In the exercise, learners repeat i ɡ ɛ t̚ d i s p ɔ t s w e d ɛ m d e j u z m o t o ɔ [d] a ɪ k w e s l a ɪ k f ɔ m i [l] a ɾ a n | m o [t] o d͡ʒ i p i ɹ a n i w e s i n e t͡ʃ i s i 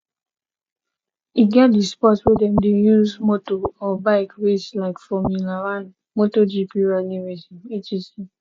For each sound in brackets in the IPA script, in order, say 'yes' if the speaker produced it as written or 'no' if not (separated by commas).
no, yes, yes